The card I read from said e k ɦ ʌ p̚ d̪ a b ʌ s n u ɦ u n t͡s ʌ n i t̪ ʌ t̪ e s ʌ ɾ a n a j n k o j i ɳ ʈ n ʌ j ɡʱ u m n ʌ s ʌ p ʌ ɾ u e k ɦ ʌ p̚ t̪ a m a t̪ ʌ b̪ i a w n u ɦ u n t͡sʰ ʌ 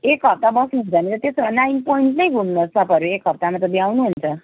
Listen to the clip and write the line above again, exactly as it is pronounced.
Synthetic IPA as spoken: e k ɦ ʌ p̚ t̪ a b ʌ s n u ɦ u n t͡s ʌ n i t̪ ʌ t̪ e s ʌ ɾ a n a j n p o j i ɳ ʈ n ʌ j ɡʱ u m n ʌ s ʌ p ʌ ɾ u e k ɦ ʌ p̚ t̪ a m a t̪ ʌ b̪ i a w n u ɦ u n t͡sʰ ʌ